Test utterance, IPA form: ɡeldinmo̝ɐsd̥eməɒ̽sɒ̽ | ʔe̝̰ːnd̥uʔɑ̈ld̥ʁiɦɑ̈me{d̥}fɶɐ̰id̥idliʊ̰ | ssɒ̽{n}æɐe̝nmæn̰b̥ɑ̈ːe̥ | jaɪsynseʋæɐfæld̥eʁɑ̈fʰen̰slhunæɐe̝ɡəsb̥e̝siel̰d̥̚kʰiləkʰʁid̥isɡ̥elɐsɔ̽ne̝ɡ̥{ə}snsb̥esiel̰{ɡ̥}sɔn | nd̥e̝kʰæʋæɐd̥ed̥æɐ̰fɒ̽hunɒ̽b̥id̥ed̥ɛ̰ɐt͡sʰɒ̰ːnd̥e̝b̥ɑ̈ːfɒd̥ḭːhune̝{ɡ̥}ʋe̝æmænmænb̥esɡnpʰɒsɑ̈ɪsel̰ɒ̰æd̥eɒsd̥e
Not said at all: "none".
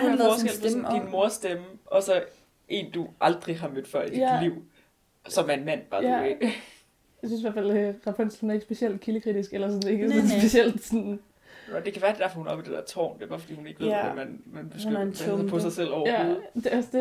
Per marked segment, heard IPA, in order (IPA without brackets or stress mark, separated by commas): d̥, m, ə, d̥, ɡ̥